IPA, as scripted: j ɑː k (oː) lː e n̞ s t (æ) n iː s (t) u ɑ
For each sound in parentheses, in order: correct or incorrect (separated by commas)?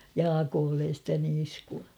correct, correct, incorrect